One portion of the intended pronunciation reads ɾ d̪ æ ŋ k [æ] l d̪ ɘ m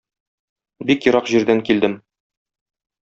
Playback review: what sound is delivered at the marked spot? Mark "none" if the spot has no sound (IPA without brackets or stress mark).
i